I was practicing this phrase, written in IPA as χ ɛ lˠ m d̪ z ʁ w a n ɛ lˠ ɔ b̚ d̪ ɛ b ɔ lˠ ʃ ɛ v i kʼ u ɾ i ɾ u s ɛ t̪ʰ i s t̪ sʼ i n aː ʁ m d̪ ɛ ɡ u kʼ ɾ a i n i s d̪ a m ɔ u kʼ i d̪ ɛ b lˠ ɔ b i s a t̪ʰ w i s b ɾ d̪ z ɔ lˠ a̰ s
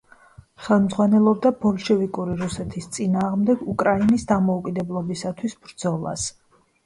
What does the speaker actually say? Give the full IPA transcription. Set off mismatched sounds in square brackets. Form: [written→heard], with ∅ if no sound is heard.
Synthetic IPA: χ ɛ lˠ m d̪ z ʁ w a n ɛ lˠ ɔ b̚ d̪ [ɛ→a] b ɔ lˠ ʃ ɛ v i kʼ u ɾ i ɾ u s ɛ t̪ʰ i s t̪ sʼ i n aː ʁ m d̪ ɛ ɡ u kʼ ɾ a i n i s d̪ a m ɔ u kʼ i d̪ ɛ b lˠ ɔ b i s a t̪ʰ w i s b ɾ d̪ z ɔ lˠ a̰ s